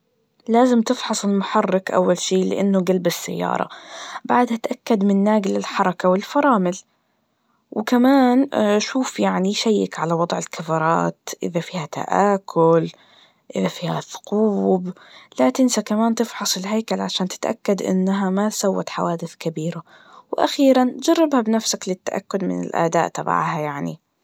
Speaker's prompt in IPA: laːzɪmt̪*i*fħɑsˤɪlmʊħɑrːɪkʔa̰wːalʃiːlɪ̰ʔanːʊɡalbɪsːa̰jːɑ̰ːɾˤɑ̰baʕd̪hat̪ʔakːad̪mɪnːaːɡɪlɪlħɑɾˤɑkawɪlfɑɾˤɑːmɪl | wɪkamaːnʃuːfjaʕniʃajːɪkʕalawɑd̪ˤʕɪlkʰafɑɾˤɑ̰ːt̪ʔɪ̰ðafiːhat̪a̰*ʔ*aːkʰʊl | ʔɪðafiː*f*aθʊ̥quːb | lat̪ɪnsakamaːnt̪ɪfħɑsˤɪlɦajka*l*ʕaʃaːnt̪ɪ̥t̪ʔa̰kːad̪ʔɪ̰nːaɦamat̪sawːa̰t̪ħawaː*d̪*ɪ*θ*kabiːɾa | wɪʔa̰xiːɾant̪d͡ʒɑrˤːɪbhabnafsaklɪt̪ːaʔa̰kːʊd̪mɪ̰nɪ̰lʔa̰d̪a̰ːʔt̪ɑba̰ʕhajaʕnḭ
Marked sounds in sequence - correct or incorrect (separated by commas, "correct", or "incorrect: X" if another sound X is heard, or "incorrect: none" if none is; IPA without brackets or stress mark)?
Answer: incorrect: ɪ, correct, incorrect: h, correct, correct, correct